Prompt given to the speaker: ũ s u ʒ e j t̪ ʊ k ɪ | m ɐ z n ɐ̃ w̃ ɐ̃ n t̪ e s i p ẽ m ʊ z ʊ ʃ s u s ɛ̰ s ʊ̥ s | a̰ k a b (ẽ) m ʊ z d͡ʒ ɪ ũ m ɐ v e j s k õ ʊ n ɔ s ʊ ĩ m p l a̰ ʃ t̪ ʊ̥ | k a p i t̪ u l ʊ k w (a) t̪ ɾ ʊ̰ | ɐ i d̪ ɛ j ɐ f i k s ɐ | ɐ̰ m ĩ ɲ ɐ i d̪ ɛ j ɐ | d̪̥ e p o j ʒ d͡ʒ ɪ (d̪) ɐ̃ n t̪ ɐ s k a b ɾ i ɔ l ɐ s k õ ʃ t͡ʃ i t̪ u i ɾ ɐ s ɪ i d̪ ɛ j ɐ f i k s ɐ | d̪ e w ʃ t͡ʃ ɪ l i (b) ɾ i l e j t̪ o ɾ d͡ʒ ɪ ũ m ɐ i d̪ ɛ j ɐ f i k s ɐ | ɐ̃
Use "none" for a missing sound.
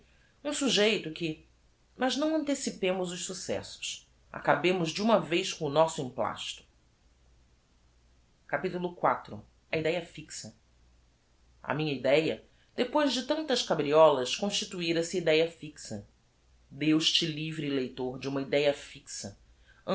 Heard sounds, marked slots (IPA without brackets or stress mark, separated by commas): ẽ, a, t̪, v